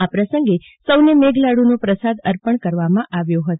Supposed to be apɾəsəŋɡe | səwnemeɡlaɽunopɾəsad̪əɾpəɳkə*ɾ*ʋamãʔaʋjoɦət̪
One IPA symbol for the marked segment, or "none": ɾ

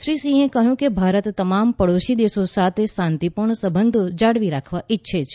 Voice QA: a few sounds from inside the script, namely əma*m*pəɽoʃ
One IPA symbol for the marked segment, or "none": m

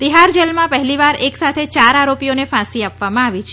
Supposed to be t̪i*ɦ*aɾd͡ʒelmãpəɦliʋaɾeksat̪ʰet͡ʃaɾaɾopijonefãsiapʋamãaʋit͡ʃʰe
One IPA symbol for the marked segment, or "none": ɦ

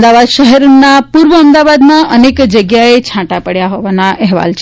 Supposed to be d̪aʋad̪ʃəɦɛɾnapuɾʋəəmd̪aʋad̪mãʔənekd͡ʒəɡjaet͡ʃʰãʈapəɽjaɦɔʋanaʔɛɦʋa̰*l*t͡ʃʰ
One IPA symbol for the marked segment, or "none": l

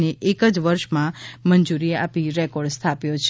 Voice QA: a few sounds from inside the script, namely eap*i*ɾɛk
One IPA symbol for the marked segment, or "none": i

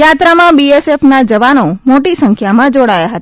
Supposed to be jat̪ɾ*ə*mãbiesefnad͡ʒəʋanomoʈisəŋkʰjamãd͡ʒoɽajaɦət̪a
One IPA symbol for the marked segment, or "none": a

